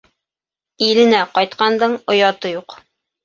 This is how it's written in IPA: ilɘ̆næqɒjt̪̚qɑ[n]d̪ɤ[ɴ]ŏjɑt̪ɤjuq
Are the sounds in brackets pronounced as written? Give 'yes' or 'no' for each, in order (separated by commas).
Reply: yes, yes